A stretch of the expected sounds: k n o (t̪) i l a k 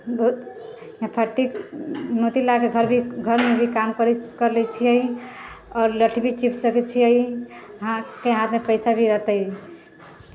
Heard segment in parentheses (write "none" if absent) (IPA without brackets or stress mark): t̪